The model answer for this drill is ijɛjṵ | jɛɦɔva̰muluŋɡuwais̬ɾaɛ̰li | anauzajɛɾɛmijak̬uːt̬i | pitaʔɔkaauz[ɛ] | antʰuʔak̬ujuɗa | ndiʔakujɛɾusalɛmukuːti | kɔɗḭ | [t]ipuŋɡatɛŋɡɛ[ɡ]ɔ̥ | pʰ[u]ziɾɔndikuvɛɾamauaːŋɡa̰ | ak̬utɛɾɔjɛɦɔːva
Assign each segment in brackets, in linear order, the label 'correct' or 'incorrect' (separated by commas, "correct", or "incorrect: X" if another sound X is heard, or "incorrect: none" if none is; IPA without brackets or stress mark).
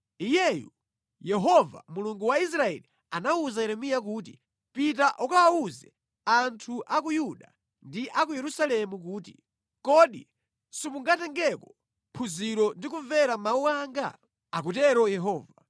correct, incorrect: s, incorrect: k, correct